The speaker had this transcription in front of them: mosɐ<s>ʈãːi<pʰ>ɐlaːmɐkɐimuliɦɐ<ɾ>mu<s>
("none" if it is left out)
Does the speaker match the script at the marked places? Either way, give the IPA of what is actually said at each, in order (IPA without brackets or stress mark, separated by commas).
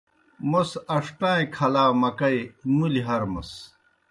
ʂ, kʰ, ɾ, s